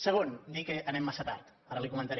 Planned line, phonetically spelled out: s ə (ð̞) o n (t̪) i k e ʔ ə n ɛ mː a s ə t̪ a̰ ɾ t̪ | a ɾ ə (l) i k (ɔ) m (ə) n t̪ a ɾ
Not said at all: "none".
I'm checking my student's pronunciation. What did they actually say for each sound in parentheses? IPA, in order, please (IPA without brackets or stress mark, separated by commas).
ɣ̞, d̪, l, u, ə